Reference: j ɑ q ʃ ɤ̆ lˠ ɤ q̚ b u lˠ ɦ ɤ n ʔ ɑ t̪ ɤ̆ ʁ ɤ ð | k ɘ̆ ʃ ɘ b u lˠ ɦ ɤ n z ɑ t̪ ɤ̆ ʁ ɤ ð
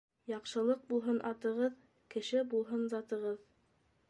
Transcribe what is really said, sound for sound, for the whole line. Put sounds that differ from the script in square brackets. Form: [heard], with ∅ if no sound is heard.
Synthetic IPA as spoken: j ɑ q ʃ ɤ̆ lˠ ɤ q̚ b u lˠ ɦ ɤ n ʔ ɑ t̪ ɤ̆ ʁ ɤ ð | k ɘ̆ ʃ ɘ b u lˠ ɦ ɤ n z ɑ t̪ ɤ̆ ʁ ɤ ð